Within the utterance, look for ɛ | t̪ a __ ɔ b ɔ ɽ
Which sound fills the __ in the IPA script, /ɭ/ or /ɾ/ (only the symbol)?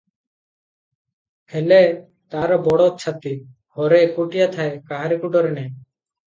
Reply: ɾ